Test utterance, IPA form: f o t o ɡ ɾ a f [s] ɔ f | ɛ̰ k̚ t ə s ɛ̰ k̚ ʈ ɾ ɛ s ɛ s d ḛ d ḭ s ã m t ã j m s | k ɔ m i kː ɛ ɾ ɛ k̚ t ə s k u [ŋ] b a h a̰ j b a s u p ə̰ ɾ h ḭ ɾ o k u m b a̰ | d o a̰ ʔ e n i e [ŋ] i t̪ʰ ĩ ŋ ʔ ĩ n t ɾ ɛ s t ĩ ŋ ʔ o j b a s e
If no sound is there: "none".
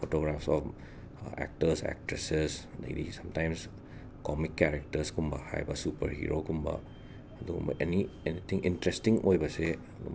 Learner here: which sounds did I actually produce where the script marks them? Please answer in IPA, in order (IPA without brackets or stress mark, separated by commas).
s, m, n